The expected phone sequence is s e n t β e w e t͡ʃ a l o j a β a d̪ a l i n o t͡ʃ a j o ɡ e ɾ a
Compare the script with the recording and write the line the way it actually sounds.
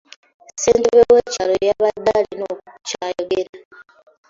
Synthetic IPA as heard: s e n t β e w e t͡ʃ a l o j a β a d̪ a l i n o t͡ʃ a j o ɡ e ɾ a